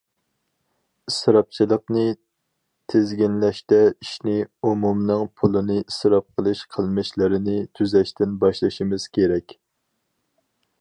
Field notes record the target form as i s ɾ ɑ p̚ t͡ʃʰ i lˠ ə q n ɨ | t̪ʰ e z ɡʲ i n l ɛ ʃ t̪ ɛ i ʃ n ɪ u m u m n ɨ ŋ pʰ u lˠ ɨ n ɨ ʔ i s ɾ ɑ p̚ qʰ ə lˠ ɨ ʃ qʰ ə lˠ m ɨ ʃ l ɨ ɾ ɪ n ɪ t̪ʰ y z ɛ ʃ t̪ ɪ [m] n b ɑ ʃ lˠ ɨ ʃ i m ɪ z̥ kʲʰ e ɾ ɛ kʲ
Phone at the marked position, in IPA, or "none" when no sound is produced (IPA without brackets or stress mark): none